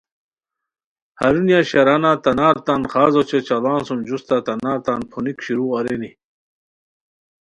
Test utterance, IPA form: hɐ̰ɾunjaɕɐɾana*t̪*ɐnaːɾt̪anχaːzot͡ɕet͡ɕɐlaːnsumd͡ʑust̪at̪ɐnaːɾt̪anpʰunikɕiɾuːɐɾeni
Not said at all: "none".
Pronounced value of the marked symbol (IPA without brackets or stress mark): t̪